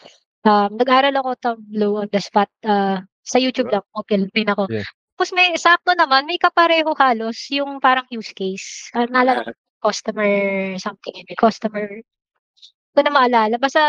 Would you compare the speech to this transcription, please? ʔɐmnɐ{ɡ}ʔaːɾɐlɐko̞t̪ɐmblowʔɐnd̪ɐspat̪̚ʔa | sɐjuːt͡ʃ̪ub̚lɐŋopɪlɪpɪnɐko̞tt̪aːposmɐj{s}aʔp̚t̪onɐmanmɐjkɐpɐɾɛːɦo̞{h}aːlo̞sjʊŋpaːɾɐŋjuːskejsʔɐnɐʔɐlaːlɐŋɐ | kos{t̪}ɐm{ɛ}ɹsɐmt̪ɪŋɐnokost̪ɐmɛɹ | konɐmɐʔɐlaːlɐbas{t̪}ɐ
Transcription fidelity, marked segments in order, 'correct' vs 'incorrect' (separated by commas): correct, correct, correct, correct, correct, correct